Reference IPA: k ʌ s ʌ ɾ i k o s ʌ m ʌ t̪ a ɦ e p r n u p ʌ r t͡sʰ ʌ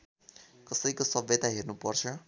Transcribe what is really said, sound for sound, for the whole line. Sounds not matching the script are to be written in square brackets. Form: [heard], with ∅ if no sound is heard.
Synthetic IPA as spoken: k ʌ s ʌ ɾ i k o s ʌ [b] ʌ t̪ a ɦ e [∅] r n u p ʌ r t͡sʰ ʌ